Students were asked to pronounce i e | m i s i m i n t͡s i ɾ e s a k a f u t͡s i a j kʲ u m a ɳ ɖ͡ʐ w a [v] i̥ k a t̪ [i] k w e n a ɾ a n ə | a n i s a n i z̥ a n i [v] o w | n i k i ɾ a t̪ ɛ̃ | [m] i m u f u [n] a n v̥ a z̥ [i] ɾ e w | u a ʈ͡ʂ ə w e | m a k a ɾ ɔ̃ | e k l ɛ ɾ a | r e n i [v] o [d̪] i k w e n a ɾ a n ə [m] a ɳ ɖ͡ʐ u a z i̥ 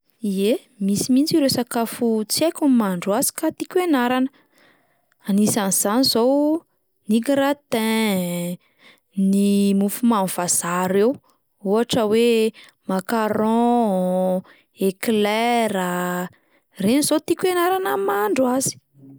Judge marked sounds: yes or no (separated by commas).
no, yes, no, no, no, no, no, no, yes